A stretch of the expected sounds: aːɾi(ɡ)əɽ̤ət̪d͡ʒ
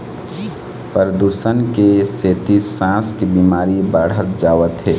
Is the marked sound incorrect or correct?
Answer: incorrect